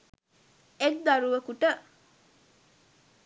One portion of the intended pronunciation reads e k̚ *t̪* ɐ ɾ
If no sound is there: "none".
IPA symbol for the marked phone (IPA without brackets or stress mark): d̪